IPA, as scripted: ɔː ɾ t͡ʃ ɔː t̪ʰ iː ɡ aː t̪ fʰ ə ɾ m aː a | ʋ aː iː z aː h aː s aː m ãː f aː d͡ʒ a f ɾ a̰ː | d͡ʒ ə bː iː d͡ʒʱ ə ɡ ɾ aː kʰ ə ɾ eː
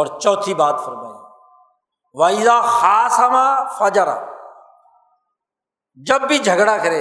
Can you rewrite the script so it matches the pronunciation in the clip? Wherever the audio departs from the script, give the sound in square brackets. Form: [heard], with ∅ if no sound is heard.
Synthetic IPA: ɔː ɾ t͡ʃ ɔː t̪ʰ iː [b] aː t̪ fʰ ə ɾ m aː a | ʋ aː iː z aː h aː s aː m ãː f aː d͡ʒ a [∅] ɾ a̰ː | d͡ʒ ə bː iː d͡ʒʱ ə ɡ [ɽ] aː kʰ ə ɾ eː